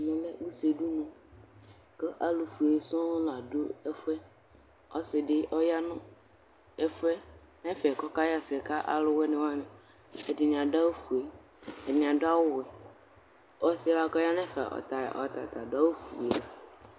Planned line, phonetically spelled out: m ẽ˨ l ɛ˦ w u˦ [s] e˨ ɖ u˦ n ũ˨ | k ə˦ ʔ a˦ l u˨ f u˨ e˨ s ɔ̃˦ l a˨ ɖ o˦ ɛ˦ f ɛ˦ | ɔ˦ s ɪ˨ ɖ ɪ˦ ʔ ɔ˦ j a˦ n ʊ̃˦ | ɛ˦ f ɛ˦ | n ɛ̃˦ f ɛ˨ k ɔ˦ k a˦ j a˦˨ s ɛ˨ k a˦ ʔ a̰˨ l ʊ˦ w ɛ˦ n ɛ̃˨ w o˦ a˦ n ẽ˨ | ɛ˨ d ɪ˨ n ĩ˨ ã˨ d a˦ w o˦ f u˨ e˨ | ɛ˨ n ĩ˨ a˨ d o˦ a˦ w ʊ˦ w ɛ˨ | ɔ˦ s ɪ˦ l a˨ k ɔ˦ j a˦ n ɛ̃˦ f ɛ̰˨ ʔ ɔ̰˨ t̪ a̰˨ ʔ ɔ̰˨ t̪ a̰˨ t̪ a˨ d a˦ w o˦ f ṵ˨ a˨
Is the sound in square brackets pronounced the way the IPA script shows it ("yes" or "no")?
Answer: yes